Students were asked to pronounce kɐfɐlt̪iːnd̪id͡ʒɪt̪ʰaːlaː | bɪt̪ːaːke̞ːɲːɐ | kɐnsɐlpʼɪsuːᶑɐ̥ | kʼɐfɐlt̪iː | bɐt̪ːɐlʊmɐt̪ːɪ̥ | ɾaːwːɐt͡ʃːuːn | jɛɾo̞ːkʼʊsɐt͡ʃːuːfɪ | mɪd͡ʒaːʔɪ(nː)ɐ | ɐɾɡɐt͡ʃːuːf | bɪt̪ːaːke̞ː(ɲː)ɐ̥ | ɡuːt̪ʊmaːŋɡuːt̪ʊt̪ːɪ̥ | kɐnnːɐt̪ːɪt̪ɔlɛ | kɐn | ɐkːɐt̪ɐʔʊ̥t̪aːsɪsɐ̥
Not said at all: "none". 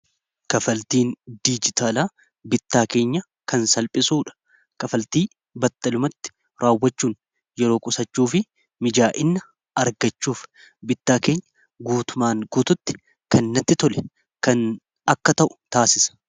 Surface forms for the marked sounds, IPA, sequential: nː, ɲː

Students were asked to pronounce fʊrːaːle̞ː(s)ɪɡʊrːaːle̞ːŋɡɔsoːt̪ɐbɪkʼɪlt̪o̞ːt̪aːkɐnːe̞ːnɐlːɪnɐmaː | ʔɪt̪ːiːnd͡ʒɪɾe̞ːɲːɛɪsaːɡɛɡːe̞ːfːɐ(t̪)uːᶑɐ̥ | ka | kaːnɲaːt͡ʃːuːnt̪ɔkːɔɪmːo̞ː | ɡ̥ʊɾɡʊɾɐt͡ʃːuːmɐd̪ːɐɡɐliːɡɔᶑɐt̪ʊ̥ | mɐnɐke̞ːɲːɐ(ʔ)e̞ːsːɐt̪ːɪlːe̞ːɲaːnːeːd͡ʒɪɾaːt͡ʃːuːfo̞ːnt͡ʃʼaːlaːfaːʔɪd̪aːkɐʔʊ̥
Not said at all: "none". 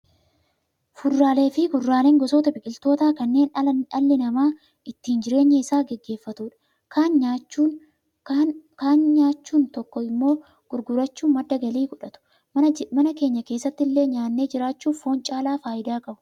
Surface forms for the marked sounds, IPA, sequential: f, t̪, k

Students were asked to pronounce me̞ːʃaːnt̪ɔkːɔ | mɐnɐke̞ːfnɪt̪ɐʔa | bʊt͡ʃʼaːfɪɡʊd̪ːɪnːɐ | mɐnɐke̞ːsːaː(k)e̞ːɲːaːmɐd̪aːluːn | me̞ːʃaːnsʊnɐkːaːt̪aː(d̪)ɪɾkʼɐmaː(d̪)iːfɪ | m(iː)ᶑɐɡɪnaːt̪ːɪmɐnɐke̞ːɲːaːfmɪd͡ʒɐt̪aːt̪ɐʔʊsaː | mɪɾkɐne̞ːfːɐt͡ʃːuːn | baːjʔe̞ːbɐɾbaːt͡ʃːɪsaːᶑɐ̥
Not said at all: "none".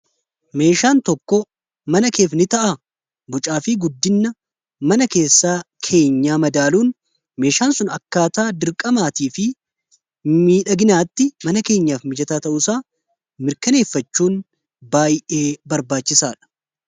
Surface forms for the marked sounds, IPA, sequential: kʰ, d̪, t̪, iː

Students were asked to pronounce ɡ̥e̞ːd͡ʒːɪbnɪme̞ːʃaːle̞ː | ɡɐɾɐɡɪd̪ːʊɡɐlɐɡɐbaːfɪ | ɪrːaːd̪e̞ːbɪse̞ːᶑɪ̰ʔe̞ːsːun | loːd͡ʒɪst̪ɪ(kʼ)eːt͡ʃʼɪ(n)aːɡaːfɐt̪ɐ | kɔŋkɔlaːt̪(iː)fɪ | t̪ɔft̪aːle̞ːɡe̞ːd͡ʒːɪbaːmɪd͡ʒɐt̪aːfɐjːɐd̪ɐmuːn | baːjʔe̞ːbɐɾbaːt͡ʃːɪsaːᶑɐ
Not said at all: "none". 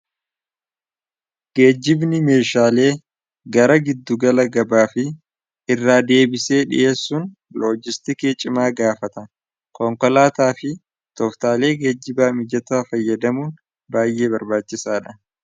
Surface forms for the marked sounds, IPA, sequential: k, m, aː

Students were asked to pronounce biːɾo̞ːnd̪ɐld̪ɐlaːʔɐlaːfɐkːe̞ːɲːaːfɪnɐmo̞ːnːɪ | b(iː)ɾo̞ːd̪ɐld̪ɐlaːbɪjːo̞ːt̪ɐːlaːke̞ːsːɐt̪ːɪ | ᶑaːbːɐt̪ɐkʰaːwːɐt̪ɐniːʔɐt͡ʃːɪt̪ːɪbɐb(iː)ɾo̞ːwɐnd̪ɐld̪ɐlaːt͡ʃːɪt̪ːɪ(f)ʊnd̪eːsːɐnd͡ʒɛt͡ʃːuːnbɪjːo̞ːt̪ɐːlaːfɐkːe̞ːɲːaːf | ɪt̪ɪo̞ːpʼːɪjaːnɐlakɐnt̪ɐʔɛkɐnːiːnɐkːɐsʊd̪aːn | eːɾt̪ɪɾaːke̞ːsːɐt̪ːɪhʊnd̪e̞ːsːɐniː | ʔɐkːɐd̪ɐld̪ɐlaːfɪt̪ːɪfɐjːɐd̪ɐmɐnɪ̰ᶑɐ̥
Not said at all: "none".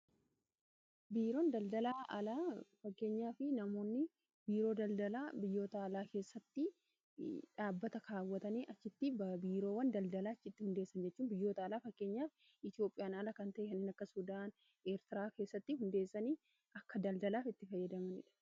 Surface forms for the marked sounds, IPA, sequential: iː, iː, h

